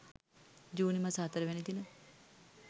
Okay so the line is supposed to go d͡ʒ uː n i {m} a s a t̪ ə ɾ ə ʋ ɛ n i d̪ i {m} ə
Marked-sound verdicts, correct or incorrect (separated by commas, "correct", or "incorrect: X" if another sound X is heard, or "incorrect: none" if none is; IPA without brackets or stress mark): correct, incorrect: n